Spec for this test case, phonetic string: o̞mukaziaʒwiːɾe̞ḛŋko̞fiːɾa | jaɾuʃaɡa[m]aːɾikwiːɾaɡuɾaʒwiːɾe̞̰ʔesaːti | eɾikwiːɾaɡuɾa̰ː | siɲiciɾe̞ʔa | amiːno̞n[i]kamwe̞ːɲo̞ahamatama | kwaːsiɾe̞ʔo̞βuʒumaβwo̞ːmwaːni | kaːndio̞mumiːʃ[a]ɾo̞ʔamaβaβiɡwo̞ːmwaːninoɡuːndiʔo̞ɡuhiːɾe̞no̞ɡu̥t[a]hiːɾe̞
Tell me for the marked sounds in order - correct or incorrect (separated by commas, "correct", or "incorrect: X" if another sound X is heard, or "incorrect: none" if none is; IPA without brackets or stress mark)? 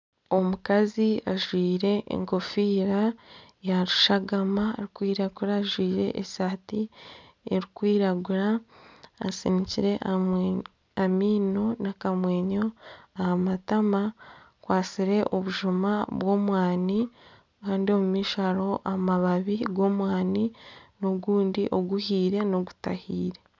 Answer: correct, incorrect: a, correct, correct